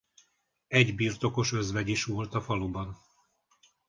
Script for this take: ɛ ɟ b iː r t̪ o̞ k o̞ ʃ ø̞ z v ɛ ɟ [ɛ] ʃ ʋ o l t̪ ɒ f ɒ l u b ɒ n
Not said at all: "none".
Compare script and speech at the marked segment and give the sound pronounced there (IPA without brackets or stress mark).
i